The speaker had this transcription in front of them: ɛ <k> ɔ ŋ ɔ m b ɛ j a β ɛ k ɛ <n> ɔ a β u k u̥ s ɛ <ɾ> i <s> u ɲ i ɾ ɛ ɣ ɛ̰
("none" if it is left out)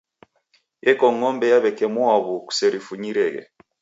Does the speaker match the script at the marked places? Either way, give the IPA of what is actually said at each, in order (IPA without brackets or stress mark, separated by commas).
k, m, ɾ, f